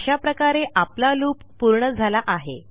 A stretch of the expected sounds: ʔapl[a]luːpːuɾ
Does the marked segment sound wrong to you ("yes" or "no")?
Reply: no